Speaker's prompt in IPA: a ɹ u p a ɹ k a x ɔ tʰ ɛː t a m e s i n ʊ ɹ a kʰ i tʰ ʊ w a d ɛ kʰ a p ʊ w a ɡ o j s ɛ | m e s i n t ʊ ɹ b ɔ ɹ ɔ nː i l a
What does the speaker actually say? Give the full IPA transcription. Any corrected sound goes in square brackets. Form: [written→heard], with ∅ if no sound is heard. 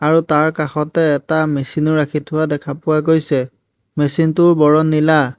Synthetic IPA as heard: a ɹ u [p→t] a ɹ k a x ɔ [tʰ→t] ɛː t a m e s i n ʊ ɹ a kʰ i tʰ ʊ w a d ɛ kʰ a p ʊ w a ɡ o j s ɛ | m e s i n t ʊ ɹ b ɔ ɹ ɔ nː i l a

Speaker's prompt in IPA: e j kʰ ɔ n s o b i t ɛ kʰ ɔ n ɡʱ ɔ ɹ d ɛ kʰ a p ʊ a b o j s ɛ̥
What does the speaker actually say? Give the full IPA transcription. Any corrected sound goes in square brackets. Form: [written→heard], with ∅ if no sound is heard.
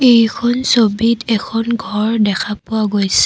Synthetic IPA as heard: e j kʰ ɔ n s o b i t ɛ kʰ ɔ n ɡʱ ɔ ɹ d ɛ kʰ a p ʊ a [b→ɡ] o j s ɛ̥

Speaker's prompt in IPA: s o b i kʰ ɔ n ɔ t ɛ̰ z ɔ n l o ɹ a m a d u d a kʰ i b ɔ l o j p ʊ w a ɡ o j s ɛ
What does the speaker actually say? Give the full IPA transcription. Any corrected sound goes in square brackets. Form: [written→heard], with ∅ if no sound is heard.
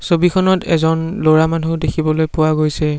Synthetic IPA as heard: s o b i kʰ ɔ n ɔ t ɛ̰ z ɔ n l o ɹ a m a [d→n] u d [a→e] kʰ i b ɔ l o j p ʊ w a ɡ o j s ɛ

